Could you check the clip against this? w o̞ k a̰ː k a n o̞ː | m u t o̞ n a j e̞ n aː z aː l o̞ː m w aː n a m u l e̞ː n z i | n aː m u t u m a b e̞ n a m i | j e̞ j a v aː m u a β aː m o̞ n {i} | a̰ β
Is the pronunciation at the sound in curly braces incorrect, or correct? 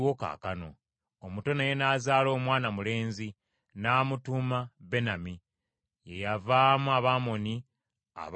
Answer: correct